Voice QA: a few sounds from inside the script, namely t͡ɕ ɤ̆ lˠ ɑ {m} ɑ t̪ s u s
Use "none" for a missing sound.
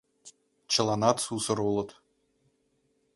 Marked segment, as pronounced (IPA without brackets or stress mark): n